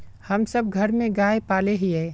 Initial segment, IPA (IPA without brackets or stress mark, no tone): h